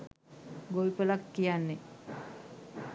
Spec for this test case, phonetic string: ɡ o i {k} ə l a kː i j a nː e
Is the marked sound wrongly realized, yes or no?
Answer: yes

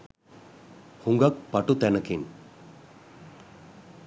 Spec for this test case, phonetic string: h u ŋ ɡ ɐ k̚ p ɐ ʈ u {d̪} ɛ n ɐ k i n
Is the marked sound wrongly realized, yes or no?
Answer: yes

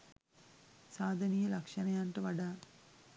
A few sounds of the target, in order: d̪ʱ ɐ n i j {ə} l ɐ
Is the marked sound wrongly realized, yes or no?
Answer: yes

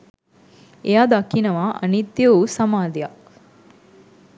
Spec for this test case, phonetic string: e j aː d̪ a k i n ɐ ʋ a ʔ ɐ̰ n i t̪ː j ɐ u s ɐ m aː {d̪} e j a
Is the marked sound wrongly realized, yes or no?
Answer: no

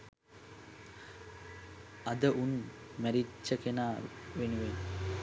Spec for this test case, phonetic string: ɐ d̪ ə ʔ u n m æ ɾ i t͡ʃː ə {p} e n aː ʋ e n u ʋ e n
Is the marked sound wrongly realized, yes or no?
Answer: yes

